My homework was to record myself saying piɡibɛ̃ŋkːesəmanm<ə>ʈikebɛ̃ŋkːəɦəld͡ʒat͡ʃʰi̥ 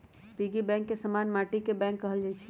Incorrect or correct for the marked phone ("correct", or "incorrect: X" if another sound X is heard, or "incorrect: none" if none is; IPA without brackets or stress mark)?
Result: incorrect: a